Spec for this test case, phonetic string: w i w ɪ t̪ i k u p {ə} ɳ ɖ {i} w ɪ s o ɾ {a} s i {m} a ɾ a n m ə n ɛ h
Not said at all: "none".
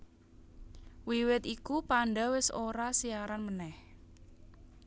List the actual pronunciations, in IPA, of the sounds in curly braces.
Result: a, a, a, none

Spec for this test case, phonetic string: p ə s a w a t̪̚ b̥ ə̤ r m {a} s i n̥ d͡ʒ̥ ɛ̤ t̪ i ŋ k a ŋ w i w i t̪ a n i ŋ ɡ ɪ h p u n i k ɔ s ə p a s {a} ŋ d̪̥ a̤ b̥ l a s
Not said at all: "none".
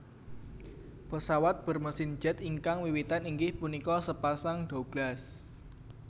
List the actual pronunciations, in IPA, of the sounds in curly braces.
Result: ə, a

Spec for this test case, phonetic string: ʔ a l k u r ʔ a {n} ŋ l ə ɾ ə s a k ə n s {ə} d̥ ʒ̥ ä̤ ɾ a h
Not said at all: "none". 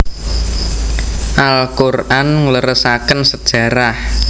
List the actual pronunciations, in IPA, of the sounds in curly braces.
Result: n, ə

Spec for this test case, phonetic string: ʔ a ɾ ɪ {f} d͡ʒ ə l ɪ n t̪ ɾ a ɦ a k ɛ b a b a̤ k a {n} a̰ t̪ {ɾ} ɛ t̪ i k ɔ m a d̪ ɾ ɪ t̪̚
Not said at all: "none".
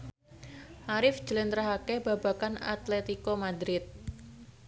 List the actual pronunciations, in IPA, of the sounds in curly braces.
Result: f, n, l

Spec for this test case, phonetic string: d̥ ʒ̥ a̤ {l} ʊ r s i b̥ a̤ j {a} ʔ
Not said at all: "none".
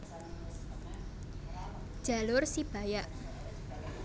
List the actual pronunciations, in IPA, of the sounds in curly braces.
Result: l, a

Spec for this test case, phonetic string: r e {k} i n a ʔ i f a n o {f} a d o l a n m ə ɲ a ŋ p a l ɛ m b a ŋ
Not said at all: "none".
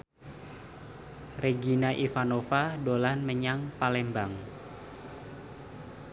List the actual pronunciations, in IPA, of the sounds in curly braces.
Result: ɡ, f

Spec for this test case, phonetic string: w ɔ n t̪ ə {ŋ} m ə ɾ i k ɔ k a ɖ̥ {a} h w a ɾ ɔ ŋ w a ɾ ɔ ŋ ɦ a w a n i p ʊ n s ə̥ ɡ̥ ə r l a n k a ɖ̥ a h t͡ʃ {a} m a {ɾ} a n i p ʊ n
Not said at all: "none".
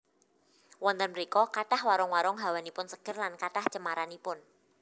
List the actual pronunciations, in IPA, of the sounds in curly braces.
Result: n, a, ə, ɾ

